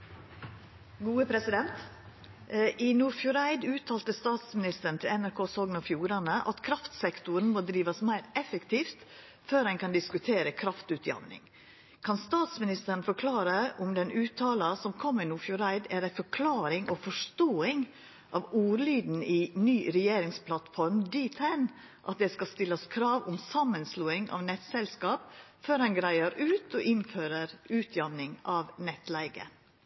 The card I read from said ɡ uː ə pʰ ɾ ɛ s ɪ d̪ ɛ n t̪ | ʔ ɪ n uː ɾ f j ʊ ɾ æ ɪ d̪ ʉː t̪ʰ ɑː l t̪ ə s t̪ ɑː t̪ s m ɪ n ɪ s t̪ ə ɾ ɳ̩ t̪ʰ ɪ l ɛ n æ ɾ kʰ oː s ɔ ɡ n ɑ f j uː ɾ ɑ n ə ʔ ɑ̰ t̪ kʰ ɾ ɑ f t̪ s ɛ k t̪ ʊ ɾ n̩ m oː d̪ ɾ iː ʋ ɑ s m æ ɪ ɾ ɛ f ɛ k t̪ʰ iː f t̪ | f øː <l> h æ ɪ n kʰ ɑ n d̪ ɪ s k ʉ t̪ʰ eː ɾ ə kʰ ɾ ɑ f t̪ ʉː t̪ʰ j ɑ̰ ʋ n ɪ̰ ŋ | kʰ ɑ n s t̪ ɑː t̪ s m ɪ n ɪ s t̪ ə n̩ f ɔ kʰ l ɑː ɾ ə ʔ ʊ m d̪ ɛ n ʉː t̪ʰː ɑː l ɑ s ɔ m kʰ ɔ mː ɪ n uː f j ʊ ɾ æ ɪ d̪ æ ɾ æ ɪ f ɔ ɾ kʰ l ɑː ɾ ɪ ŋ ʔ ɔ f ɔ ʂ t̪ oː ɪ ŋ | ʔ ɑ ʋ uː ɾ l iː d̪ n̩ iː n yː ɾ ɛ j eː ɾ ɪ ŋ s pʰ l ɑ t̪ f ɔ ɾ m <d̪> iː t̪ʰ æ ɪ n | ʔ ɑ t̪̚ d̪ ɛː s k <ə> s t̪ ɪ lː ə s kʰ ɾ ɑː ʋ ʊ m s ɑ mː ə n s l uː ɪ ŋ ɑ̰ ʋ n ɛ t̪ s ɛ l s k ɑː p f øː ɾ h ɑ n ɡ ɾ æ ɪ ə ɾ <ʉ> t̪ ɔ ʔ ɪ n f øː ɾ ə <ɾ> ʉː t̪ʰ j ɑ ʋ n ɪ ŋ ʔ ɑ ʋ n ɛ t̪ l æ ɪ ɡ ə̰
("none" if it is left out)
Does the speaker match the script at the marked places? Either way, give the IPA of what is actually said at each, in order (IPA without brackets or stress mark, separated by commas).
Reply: ɾ, d̪, ɑ, ʉː, ɾ